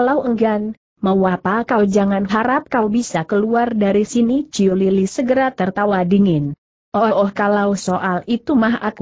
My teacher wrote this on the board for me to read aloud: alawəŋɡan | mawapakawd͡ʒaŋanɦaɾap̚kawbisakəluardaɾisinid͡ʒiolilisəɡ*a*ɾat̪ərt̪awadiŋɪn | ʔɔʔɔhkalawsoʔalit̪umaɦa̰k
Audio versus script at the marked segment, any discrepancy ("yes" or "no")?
yes